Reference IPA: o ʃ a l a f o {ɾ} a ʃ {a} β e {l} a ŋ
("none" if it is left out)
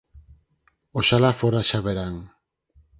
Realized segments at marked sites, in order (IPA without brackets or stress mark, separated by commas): ɾ, a, ɾ